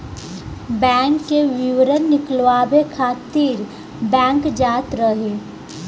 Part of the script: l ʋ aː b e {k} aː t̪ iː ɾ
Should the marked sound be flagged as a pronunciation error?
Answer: yes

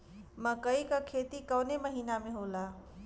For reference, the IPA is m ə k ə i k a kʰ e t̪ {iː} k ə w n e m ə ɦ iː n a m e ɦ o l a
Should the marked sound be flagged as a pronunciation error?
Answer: yes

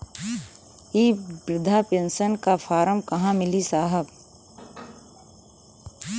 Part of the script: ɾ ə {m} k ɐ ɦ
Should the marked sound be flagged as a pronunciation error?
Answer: no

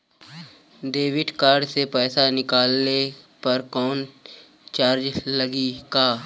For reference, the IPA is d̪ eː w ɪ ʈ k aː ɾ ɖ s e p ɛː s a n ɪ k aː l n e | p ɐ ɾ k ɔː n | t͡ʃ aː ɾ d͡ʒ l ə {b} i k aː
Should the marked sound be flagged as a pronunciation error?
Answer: yes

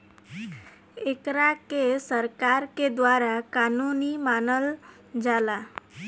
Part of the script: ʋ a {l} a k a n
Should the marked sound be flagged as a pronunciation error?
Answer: yes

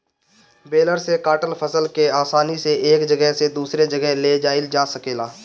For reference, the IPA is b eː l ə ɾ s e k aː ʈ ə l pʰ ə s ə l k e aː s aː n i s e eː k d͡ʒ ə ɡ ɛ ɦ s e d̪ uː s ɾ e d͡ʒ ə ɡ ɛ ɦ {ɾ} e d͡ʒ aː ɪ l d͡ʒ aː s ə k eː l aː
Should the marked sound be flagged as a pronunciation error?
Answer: yes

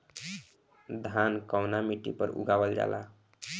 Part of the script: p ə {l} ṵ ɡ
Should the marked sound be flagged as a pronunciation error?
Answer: yes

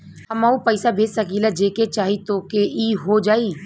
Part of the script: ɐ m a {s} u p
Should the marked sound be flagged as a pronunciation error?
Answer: yes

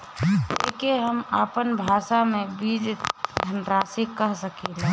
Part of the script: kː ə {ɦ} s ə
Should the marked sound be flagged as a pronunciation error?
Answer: no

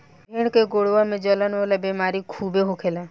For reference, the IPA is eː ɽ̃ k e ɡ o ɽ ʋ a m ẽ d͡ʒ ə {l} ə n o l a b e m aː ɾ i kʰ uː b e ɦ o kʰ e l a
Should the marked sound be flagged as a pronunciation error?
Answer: no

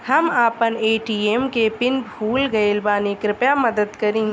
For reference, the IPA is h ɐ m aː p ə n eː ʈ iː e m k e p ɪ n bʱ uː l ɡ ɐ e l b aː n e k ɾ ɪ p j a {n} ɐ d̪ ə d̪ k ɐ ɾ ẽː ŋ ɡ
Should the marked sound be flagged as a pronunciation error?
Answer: yes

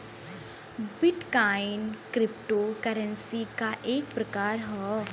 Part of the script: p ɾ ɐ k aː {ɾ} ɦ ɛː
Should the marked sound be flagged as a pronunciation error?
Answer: no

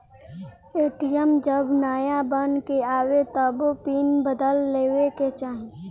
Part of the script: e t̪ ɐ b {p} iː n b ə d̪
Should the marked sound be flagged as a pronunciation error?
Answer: no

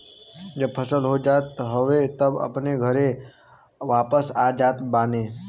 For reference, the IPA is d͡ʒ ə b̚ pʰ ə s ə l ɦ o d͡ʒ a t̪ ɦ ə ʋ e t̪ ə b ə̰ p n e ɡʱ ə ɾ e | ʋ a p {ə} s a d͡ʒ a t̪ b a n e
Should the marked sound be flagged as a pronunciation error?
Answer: no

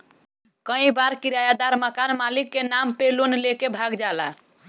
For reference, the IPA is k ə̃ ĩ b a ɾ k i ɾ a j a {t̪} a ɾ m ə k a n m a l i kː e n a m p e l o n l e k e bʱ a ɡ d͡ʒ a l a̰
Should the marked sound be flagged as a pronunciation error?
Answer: yes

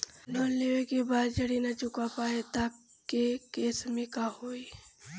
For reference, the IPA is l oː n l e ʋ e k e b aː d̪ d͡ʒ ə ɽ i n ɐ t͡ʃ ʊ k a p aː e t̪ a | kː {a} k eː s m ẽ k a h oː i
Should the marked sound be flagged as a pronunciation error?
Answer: yes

